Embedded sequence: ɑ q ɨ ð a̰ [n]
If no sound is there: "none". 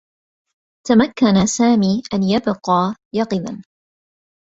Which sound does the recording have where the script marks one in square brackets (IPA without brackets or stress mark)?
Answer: n